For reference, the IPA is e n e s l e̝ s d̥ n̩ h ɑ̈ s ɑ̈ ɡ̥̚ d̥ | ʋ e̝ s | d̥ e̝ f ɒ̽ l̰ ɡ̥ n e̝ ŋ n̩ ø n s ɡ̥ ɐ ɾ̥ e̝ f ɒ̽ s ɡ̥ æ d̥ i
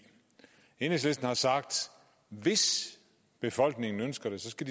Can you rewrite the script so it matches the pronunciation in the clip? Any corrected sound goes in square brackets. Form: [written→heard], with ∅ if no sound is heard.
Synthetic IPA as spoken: e n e s l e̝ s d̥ n̩ h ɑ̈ s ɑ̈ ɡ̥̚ d̥ | ʋ e̝ s | [d̥→b̥] e̝ f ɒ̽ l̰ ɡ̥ n e̝ ŋ n̩ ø n s ɡ̥ ɐ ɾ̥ e̝ [f→s] ɒ̽ s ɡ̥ æ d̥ i